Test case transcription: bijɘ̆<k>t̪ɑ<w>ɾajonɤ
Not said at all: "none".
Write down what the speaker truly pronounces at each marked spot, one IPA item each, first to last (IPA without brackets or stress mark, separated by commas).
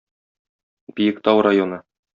k, w